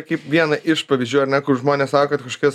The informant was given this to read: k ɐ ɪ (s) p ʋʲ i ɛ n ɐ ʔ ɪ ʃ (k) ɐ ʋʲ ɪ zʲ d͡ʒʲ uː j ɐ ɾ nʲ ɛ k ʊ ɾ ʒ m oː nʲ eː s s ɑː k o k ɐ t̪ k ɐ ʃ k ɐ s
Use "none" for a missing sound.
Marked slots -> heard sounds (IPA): none, p

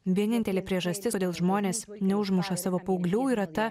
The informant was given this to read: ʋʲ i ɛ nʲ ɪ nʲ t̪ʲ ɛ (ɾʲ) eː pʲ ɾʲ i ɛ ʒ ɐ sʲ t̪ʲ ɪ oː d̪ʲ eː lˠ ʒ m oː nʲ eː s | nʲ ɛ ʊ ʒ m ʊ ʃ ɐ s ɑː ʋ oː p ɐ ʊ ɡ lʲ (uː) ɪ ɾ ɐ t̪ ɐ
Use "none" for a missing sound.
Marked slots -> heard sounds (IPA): lʲ, uː

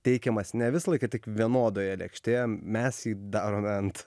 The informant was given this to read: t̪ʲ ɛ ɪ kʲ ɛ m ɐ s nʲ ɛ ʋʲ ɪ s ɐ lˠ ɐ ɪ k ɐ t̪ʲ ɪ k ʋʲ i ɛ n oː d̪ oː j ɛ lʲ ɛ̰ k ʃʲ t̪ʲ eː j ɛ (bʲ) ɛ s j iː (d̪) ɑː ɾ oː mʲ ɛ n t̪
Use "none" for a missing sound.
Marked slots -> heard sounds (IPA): mʲ, d̪

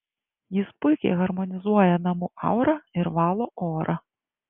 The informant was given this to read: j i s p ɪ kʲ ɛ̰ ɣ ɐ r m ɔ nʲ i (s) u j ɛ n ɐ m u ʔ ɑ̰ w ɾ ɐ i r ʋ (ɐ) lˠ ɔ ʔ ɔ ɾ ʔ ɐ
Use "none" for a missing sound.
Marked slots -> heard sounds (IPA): z, ɑ

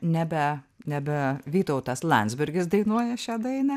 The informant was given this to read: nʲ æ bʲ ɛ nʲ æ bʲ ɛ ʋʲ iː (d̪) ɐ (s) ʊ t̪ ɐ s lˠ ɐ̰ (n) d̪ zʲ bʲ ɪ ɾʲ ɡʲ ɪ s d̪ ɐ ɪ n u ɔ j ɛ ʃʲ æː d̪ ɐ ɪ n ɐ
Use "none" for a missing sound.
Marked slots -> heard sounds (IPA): t̪, none, n

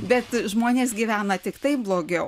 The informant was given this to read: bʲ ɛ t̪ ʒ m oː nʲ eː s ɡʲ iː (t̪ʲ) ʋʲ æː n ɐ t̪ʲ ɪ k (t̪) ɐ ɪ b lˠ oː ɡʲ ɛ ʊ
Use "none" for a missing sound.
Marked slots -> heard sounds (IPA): none, t̪

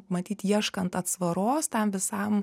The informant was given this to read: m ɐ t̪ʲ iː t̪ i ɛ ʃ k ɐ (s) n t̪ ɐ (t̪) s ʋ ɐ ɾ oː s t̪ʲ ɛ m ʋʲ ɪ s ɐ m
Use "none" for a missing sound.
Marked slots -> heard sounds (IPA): none, t̪

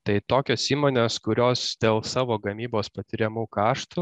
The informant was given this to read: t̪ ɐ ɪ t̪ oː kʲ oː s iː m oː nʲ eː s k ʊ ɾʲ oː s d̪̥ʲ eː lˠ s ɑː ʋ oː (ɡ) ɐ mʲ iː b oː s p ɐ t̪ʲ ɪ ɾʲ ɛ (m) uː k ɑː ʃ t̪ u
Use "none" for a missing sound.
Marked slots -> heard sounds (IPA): ɡ, m

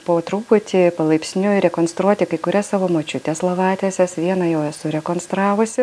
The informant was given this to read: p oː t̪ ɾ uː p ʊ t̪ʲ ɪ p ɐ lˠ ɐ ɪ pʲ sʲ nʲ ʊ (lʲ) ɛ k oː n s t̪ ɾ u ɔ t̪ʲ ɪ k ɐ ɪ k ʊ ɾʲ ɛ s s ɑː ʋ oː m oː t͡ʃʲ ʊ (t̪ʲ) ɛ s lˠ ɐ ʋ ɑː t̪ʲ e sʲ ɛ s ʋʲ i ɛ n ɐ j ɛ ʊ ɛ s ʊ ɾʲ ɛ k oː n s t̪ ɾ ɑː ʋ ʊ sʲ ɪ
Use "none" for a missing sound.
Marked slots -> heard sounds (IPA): ɾʲ, t̪ʲ

